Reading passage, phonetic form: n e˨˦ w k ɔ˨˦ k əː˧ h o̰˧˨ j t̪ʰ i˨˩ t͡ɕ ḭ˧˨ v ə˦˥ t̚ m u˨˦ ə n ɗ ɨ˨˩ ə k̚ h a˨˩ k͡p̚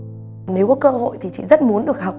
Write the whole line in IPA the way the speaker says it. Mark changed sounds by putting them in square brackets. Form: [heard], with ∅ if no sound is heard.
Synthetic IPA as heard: n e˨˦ w k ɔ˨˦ k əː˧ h o̰˧˨ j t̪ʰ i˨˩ t͡ɕ ḭ˧˨ [z] ə˦˥ t̚ m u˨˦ ə n ɗ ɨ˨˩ ə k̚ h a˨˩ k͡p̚